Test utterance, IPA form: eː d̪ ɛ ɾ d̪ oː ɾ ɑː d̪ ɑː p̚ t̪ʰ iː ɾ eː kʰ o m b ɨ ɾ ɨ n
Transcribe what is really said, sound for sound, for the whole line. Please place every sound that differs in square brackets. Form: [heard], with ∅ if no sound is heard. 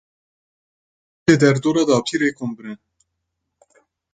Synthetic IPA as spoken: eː d̪ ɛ ɾ d̪ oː ɾ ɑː d̪ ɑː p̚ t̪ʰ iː ɾ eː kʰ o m b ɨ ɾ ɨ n